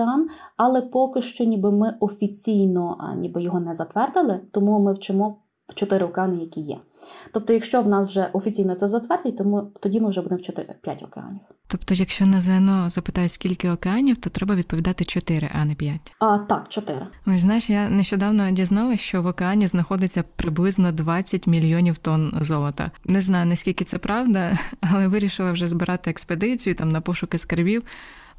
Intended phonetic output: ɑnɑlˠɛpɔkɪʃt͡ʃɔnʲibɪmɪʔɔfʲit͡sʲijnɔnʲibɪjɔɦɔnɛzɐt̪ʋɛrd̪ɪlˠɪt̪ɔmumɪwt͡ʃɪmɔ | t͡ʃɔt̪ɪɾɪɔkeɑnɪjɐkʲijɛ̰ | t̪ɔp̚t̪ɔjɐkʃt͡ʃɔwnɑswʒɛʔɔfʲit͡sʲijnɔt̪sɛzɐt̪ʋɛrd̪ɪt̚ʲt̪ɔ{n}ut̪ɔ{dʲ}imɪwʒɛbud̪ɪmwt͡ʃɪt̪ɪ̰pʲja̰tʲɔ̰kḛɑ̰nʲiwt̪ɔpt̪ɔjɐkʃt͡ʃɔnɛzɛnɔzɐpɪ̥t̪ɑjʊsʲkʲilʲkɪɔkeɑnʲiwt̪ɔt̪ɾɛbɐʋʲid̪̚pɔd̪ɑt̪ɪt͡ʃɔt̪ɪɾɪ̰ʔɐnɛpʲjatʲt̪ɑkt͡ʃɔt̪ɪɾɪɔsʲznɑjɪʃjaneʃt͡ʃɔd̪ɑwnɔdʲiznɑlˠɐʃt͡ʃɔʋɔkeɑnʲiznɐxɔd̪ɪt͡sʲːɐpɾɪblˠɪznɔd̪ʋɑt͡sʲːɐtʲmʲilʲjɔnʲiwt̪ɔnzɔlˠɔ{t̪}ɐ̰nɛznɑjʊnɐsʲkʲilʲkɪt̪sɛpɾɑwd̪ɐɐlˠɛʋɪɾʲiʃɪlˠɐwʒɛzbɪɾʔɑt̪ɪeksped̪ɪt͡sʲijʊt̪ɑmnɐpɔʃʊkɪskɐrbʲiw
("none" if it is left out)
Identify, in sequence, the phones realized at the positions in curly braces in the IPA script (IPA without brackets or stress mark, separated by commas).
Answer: m, dʲ, t̪